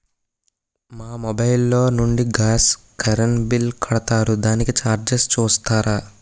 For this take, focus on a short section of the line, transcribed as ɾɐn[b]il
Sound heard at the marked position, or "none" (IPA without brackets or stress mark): b